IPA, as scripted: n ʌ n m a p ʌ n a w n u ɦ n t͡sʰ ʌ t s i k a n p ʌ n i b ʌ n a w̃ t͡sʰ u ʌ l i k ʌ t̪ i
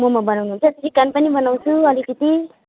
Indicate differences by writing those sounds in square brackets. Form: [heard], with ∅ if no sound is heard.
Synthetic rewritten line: [m] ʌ [∅] m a [b] ʌ n a w n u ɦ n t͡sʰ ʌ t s i k a n p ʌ n i b ʌ n a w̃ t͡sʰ u ʌ l i k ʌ t̪ i